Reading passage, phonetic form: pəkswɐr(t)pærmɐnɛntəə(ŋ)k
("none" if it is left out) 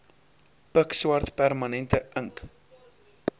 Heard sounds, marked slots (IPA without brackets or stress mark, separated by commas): t, ŋ